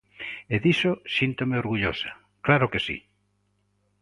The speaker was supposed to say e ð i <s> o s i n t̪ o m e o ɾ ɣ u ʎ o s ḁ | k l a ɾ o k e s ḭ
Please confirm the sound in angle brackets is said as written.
yes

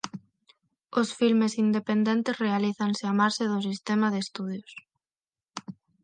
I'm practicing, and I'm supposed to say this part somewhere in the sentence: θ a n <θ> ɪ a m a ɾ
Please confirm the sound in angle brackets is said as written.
no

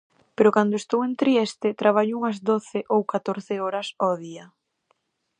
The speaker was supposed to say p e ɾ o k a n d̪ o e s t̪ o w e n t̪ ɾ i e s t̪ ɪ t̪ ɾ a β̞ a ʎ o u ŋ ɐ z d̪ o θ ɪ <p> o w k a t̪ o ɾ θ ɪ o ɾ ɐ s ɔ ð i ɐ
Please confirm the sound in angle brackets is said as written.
no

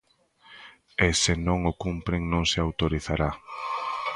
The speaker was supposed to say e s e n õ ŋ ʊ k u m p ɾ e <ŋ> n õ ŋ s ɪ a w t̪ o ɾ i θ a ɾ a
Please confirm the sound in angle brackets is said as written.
yes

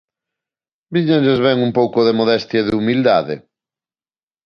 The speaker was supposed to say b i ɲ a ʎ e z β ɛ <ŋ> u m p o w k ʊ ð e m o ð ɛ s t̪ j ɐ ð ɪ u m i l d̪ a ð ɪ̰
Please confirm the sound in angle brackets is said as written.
yes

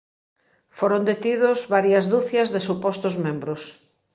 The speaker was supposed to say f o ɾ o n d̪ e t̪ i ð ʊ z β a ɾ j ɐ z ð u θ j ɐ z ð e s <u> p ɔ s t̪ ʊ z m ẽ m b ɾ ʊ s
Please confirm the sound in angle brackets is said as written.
yes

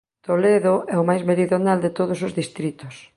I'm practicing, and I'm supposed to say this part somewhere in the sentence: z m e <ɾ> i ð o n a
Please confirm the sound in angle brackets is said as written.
yes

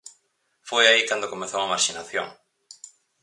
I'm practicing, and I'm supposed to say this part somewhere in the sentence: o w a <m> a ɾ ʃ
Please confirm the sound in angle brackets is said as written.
yes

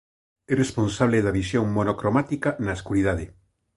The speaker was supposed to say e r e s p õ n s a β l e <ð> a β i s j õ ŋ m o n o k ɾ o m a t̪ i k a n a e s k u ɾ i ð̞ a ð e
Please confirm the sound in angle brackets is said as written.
yes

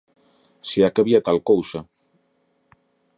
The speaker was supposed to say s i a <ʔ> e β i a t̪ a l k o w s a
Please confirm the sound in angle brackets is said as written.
no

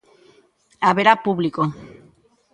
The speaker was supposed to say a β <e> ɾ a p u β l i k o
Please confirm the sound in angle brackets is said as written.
yes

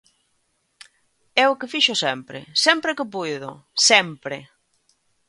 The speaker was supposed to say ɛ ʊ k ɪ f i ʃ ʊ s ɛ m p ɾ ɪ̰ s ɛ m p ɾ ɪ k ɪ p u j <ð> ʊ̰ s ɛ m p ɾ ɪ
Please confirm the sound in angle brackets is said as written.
yes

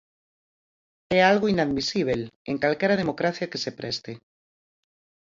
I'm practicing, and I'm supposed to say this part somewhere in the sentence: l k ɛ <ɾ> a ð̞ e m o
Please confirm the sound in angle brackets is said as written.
yes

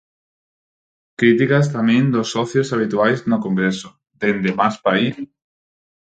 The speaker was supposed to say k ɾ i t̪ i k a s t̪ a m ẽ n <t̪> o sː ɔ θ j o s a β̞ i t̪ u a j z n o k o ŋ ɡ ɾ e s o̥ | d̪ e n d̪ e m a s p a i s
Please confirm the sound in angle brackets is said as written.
no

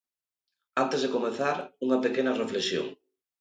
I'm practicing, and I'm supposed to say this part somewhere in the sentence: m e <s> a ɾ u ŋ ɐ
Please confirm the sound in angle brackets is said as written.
no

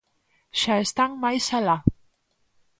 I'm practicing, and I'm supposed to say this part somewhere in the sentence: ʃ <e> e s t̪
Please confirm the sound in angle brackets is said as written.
no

